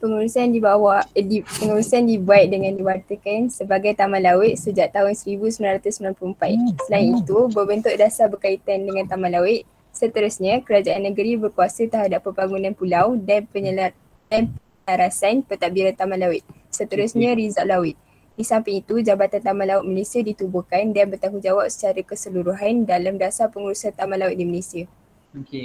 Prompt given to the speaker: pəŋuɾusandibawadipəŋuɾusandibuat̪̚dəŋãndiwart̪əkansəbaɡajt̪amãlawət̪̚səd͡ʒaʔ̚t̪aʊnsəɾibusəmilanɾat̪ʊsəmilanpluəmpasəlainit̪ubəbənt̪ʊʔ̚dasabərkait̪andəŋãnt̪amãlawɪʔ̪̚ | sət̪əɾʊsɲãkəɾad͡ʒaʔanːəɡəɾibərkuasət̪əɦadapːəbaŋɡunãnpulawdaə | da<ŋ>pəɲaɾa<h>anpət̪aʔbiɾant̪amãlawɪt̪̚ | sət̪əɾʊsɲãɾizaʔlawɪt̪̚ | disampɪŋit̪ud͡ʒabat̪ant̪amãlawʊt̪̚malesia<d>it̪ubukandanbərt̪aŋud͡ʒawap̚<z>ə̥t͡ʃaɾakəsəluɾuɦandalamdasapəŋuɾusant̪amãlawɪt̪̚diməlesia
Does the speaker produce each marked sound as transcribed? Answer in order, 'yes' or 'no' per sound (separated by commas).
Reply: no, no, yes, no